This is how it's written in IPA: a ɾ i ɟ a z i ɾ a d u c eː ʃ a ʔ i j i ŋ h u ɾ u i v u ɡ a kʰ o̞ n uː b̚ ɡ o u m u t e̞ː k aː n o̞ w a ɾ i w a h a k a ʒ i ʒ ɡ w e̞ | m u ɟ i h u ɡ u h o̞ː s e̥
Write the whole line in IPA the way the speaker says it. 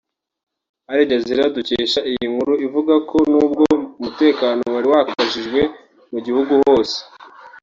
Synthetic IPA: a ɾ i ɟ a z i ɾ a d u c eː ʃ a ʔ i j i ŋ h u ɾ u i v u ɡ a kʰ o̞ n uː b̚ ɡ o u m u t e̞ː k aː n o̞ w a ɾ i w a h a k a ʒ i ʒ ɡ w e̞ | m u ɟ i h u ɡ u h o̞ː s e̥